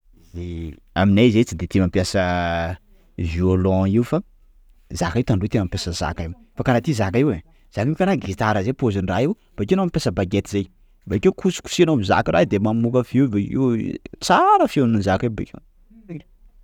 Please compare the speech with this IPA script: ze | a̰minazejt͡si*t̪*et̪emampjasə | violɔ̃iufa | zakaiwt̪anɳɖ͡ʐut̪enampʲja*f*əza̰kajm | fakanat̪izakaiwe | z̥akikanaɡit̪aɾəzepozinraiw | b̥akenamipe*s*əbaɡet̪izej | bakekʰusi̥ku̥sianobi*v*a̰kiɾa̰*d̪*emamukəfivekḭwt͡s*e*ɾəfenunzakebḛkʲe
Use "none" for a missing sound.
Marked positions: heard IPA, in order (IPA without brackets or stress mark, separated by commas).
d̪, s, s, z, d̪, a